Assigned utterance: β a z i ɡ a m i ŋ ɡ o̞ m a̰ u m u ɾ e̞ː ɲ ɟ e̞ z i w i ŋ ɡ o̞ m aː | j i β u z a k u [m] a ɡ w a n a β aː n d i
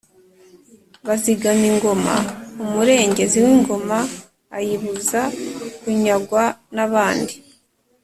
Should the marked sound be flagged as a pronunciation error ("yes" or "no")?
yes